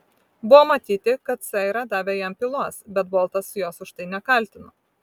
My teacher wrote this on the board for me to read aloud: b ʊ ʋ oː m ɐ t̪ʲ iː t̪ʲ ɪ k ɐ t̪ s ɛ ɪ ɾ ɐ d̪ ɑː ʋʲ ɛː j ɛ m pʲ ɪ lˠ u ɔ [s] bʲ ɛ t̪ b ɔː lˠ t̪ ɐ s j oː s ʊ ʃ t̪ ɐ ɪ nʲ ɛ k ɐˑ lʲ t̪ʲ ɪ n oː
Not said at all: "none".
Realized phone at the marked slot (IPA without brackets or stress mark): s